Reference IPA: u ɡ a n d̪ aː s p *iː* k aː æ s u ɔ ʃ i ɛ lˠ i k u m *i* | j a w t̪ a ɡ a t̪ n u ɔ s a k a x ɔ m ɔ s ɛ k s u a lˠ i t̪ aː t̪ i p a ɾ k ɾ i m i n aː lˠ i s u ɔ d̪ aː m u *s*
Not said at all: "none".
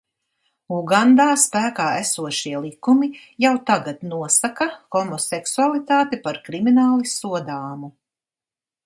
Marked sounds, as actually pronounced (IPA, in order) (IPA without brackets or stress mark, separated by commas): æː, i, none